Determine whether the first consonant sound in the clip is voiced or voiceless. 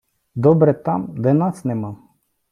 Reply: voiced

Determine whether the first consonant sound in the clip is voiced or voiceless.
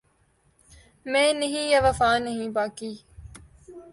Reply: voiced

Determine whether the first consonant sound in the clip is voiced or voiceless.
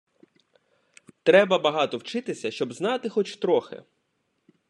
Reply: voiceless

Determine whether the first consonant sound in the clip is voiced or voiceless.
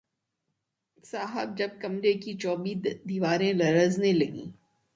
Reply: voiceless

